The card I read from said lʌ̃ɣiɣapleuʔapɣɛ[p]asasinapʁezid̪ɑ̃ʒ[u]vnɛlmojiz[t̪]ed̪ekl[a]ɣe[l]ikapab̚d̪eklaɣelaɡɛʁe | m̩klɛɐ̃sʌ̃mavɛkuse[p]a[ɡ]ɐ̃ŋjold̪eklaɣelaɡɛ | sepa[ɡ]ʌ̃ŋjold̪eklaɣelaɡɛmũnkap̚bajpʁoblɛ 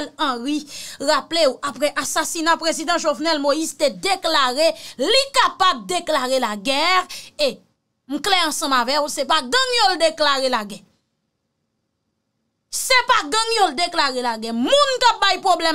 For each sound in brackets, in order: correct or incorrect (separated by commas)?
incorrect, incorrect, correct, correct, correct, correct, correct, correct